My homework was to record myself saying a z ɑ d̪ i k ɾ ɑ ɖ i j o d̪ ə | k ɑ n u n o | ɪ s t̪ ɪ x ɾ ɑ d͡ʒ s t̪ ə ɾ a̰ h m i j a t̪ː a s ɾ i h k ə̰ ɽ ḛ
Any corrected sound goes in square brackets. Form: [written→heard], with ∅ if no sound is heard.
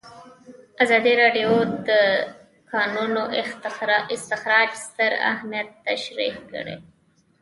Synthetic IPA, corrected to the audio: a z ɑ d̪ i [k→∅] ɾ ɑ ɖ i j o d̪ ə | k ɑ n u n o | ɪ s t̪ ɪ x ɾ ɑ d͡ʒ s t̪ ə ɾ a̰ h m i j a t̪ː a [s→ʃ] ɾ i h k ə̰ ɽ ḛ